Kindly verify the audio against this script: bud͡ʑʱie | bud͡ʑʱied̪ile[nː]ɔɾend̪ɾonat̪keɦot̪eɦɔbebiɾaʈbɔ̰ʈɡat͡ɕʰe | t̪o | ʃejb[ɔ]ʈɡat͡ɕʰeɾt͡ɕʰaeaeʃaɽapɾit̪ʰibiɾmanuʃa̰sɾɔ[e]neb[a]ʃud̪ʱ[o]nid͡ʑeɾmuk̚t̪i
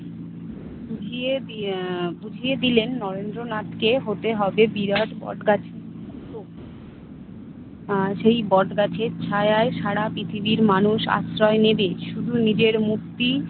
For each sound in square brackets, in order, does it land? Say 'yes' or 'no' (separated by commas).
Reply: yes, yes, yes, no, no